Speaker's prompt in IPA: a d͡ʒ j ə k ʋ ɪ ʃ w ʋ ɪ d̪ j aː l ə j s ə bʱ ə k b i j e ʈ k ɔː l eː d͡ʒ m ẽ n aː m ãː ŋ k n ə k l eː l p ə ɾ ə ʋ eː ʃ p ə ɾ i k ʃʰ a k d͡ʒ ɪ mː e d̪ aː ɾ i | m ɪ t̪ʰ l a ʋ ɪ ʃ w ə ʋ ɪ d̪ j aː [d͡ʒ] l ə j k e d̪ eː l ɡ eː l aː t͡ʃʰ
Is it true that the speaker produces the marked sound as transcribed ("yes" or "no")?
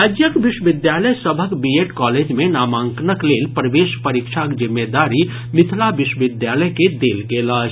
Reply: no